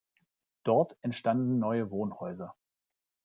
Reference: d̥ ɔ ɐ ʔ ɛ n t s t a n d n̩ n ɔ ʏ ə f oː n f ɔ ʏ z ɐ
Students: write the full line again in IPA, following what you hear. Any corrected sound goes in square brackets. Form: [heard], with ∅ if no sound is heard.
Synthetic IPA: d̥ ɔ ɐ [t] ɛ n t [ʃ] t a n d n̩ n ɔ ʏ ə [v] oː n [h] ɔ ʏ z ɐ